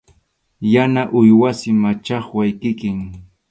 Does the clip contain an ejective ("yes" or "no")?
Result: no